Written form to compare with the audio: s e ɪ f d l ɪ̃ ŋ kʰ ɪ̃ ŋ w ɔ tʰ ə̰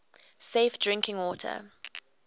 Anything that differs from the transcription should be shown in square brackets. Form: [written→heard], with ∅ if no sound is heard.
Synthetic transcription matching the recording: s e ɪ f d [l→ɹ] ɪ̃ ŋ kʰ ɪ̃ ŋ w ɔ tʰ ə̰